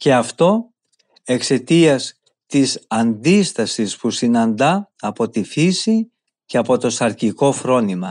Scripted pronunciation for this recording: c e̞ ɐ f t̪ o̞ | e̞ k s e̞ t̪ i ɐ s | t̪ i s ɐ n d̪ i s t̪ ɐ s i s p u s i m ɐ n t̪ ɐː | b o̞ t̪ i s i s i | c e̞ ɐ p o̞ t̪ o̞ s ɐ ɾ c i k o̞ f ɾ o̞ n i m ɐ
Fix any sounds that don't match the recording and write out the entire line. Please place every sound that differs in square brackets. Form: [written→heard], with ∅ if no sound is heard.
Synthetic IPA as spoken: c e̞ ɐ f t̪ o̞ | e̞ k s e̞ t̪ i ɐ s | t̪ i s ɐ n d̪ i s t̪ ɐ s i s p u s i [m→n] ɐ n [t̪→d̪] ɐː | [b→p] o̞ t̪ i [s→f] i s i | c e̞ ɐ p o̞ t̪ o̞ s ɐ ɾ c i k o̞ f ɾ o̞ n i m ɐ